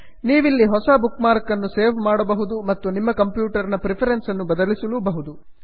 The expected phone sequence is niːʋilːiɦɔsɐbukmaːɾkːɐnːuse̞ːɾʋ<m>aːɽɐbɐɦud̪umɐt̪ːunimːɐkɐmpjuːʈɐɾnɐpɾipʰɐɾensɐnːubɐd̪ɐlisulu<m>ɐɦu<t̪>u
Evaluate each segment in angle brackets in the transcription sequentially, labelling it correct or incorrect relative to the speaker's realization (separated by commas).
correct, incorrect, incorrect